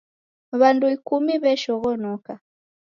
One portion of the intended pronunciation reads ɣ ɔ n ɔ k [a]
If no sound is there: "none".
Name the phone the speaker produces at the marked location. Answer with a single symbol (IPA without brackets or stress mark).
a